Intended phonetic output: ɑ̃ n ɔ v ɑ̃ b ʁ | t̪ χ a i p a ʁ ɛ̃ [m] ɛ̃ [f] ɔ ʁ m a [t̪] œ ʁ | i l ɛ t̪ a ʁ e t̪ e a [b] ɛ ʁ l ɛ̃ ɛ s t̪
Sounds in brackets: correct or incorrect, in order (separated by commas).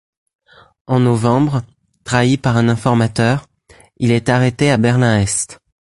incorrect, correct, correct, correct